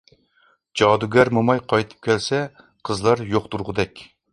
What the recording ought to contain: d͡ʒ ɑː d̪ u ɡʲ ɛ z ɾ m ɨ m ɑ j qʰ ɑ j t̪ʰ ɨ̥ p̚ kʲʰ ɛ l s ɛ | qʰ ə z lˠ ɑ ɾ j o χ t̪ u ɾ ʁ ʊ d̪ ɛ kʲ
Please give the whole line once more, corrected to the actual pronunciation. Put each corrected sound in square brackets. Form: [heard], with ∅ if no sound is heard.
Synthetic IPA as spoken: d͡ʒ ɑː d̪ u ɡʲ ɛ [∅] ɾ m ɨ m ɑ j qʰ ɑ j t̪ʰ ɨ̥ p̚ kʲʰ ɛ l s ɛ | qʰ ə z lˠ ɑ ɾ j o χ t̪ u ɾ ʁ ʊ d̪ ɛ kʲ